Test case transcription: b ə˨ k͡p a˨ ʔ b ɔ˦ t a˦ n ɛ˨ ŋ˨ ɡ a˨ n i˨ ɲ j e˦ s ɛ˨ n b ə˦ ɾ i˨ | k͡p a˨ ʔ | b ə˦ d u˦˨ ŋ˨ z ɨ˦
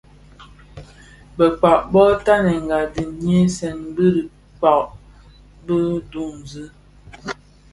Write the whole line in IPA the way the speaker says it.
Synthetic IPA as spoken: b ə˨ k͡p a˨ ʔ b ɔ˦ t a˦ n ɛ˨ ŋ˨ ɡ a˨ d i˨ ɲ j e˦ s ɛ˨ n b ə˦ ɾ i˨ | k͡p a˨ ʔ | b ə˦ d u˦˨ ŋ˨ z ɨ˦